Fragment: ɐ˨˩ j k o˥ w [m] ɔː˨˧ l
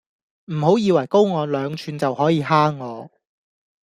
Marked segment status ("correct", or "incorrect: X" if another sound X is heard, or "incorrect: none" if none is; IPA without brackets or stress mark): incorrect: ŋ